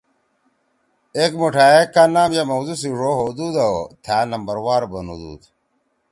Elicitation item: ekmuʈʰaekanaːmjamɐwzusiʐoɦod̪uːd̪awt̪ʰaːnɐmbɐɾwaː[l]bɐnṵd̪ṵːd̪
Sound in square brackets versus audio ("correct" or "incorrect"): incorrect